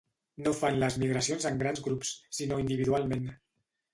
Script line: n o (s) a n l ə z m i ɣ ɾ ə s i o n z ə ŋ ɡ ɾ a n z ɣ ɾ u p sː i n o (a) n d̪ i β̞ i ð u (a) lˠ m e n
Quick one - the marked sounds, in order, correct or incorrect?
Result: incorrect, incorrect, correct

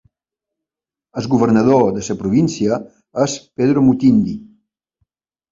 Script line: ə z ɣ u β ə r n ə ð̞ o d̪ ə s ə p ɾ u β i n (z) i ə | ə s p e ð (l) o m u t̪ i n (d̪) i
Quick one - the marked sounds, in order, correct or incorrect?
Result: incorrect, incorrect, correct

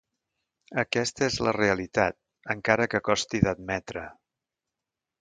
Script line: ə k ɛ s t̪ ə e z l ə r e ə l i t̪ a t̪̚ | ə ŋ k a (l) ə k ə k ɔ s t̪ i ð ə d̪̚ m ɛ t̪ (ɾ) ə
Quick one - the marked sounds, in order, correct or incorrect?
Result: incorrect, correct

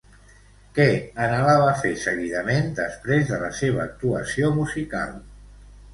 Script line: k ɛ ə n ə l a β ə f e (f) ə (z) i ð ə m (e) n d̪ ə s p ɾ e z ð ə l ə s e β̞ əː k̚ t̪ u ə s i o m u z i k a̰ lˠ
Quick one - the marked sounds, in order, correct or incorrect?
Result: incorrect, incorrect, correct

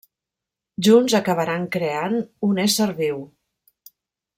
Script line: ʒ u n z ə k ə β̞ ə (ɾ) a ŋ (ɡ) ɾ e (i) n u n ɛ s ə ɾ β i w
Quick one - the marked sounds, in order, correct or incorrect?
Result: correct, incorrect, incorrect

